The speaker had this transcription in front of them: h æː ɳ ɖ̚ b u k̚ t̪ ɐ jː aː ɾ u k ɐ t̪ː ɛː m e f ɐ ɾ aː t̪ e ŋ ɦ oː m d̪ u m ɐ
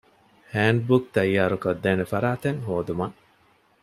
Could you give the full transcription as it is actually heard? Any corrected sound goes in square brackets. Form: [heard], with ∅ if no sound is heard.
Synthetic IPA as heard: h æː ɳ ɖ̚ b u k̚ t̪ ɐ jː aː ɾ u k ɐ [d̪ː] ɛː [n] e f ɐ ɾ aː t̪ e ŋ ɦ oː [∅] d̪ u m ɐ